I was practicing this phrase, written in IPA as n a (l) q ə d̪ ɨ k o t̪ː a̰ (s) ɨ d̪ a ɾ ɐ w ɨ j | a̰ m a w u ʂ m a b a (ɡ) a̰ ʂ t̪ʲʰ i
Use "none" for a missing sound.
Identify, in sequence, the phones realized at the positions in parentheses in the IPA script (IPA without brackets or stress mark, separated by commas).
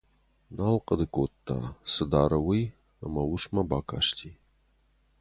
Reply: l, s, k